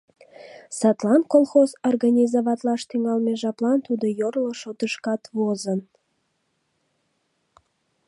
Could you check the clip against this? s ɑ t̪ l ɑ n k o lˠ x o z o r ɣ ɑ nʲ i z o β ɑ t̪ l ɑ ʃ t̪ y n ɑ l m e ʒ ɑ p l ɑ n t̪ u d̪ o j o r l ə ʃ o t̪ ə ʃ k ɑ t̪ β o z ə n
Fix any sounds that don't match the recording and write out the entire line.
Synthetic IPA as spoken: s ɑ t̪ l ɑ n k o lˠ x o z o r ɣ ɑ nʲ i z o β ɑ t̪ l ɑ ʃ t̪ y ŋ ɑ l m e ʒ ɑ p l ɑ n t̪ u d̪ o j o r l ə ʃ o t̪ ə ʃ k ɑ t̪ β o z ə n